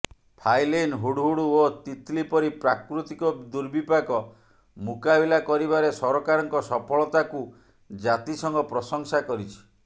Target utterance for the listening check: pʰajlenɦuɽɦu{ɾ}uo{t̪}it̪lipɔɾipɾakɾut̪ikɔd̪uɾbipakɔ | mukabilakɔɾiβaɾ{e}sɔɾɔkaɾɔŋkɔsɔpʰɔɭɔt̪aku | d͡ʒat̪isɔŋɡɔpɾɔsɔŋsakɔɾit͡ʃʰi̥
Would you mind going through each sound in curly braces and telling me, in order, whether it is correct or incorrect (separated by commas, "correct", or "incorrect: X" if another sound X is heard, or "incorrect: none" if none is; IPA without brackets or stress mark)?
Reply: incorrect: ɽ, correct, correct